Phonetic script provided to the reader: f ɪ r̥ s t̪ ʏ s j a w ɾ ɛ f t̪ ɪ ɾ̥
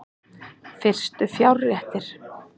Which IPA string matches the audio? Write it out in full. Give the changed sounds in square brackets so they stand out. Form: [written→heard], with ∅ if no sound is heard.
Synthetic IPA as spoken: f ɪ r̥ s t̪ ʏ [s→f] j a w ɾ ɛ [f→h] t̪ ɪ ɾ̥